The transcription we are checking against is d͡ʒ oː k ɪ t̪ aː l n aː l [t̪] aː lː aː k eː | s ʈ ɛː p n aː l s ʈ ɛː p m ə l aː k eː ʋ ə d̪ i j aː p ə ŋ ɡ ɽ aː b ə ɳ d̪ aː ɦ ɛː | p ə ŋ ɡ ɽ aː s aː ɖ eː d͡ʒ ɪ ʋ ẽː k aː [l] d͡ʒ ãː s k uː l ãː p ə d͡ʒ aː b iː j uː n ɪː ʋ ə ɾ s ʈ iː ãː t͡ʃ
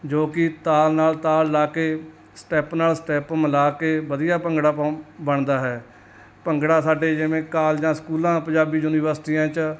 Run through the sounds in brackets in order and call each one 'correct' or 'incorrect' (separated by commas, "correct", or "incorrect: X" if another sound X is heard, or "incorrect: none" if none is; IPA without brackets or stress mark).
correct, correct